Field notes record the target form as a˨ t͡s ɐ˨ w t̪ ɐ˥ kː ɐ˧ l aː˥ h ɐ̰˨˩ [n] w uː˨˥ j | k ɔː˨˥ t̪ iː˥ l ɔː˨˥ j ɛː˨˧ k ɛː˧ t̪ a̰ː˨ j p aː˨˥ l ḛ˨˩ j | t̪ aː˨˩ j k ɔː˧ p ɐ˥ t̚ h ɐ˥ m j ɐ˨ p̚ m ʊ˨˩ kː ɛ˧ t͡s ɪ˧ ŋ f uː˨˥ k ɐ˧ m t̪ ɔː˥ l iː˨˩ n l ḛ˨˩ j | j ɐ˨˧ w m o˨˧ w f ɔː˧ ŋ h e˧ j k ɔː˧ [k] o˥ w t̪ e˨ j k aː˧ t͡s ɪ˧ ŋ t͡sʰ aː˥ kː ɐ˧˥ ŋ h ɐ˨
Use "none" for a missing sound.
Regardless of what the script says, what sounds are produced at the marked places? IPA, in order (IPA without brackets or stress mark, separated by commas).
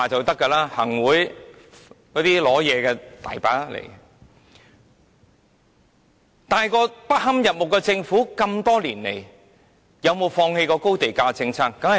ŋ, k